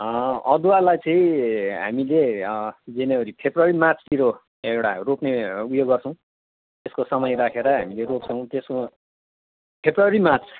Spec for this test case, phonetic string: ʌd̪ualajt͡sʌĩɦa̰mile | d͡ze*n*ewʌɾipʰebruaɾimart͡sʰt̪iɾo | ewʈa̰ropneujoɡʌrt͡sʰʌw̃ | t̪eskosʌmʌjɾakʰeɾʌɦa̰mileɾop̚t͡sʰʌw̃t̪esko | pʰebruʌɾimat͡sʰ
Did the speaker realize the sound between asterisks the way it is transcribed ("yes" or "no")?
yes